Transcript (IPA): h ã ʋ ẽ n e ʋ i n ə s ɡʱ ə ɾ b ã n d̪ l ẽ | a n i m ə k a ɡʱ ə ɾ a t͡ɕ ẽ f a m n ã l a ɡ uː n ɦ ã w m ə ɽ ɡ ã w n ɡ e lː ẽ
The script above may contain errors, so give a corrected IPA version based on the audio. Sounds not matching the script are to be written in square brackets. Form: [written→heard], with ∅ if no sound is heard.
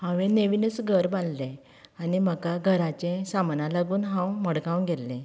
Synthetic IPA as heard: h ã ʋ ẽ n e ʋ i n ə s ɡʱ ə ɾ b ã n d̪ l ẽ | a n i m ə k a ɡʱ ə ɾ a t͡ɕ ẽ [f→s] a m n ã l a ɡ uː n ɦ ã w m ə ɽ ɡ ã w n ɡ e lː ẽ